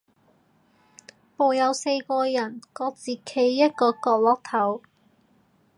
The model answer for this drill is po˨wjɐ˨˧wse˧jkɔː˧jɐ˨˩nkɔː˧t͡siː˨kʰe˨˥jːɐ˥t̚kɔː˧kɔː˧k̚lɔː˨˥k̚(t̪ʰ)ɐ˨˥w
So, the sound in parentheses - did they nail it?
yes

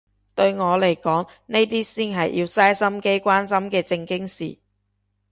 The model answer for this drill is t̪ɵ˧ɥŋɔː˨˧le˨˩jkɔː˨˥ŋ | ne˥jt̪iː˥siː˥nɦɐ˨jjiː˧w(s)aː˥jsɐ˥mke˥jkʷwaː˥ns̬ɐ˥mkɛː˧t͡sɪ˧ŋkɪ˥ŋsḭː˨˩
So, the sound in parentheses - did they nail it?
yes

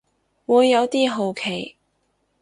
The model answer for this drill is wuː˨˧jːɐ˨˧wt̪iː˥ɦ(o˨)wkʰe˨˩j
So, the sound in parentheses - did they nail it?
yes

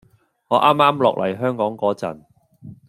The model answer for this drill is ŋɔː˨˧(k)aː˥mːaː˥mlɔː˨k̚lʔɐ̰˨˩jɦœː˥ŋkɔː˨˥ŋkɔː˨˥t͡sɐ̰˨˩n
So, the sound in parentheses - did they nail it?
no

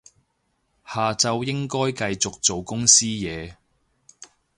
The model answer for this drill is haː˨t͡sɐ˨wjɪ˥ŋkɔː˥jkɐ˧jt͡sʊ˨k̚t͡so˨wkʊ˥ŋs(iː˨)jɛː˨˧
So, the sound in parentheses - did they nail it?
no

